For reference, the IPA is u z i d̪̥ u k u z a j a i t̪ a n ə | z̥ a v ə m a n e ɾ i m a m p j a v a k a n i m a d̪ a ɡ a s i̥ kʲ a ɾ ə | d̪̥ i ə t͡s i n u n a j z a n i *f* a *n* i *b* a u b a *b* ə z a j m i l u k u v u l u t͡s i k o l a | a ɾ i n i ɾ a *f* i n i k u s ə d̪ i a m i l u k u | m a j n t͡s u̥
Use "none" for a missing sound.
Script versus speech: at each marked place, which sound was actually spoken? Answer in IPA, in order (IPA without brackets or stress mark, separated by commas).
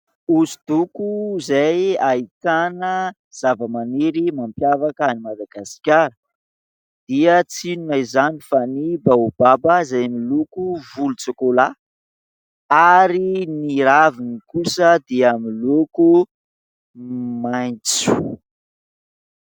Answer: f, n, b, b, v